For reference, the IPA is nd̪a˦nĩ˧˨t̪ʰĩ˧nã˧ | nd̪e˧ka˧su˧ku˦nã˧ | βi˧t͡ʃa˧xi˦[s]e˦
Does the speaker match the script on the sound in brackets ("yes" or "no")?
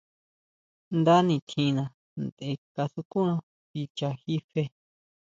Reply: no